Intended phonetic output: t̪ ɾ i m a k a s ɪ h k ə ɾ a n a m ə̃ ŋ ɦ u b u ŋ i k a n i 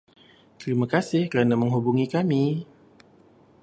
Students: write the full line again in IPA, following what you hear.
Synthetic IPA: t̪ ɾ i m a k a s ɪ h k ə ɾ a n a m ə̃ ŋ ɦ u b u ŋ i k a m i